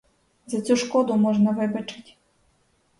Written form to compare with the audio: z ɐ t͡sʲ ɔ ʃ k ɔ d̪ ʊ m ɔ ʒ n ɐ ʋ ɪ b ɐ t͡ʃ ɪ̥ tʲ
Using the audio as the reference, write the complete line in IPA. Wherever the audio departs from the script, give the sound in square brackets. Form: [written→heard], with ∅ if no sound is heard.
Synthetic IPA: z ɐ t͡sʲ [ɔ→u] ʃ k ɔ d̪ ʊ m ɔ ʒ n ɐ ʋ ɪ b ɐ t͡ʃ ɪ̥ tʲ